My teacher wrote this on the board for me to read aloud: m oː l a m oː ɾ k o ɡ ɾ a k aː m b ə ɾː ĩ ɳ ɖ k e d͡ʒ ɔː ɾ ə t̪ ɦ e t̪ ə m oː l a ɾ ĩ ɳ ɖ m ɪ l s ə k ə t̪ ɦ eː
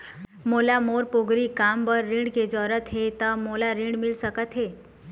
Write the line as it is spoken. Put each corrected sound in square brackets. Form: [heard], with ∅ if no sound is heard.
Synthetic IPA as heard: m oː l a m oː ɾ [p] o ɡ ɾ [i] k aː m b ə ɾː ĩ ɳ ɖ k e d͡ʒ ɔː ɾ ə t̪ ɦ e t̪ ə m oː l a ɾ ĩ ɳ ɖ m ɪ l s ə k ə t̪ ɦ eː

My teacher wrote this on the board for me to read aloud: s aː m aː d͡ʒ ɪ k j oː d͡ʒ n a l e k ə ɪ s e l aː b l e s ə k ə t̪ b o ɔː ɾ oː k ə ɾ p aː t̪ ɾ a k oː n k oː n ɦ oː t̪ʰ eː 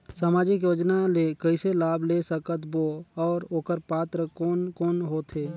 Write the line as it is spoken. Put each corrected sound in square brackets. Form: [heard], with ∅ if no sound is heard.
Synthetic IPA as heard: s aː m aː d͡ʒ ɪ k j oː d͡ʒ n a l e k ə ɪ s e l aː b l e s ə k ə t̪ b o ɔː ɾ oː k ə ɾ p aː t̪ ɾ [ə] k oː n k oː n ɦ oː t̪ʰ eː

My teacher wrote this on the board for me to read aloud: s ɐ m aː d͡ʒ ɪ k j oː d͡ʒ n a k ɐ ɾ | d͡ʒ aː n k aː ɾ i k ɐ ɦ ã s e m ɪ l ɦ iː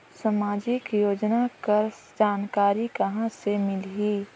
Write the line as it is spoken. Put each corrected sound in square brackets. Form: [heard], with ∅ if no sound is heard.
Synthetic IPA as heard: s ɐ m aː d͡ʒ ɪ k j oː d͡ʒ n a k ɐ ɾ | d͡ʒ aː n k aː ɾ i k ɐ ɦ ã s e m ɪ l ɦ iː

